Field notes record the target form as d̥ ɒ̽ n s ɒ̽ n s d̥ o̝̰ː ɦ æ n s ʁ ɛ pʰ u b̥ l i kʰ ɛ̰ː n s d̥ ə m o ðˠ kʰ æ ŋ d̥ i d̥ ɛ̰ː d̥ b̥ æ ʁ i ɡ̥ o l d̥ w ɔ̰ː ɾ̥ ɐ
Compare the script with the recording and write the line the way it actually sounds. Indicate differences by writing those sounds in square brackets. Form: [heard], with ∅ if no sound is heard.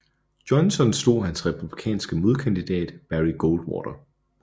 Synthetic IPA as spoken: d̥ ɒ̽ n s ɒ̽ n s d̥ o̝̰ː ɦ æ n s ʁ ɛ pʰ u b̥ l i kʰ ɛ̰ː n s [ɡ̥] ə m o ðˠ kʰ æ [n] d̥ i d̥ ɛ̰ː d̥ b̥ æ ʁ i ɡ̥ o l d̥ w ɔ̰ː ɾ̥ ɐ